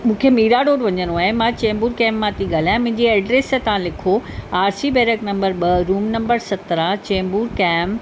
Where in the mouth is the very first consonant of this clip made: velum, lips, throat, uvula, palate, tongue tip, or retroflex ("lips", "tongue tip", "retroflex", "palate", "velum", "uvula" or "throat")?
lips